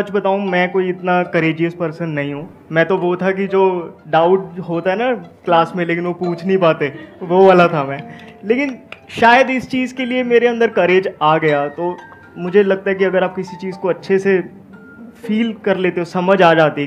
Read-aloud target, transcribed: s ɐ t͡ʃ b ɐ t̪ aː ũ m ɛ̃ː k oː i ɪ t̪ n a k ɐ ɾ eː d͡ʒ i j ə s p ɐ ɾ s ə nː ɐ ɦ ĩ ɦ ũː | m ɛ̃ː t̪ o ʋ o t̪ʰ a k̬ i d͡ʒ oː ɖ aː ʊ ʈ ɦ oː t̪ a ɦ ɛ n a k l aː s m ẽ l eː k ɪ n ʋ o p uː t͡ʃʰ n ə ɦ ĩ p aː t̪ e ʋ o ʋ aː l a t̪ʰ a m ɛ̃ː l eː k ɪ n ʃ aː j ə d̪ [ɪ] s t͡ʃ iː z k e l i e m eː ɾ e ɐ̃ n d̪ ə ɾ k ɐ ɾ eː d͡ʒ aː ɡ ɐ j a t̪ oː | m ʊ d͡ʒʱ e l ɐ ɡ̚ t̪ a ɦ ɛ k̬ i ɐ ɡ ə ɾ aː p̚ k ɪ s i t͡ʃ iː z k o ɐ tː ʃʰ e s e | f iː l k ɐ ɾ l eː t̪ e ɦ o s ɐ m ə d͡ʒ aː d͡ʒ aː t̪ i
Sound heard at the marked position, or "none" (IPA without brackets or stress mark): ɪ